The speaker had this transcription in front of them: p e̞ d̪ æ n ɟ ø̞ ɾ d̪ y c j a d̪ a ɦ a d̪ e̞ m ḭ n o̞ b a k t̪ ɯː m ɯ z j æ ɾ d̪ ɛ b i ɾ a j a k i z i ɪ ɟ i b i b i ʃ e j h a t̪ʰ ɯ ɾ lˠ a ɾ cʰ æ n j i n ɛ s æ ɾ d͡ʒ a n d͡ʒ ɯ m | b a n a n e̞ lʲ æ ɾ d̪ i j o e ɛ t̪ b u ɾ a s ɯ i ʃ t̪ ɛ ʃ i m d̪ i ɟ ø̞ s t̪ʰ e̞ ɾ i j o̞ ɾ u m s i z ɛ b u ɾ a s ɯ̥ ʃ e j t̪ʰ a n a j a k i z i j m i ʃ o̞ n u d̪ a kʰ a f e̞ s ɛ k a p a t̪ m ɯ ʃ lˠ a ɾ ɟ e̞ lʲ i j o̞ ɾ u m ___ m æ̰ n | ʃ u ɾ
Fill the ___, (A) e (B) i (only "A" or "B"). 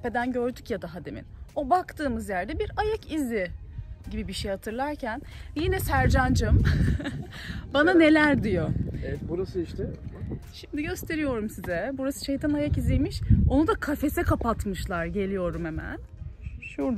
A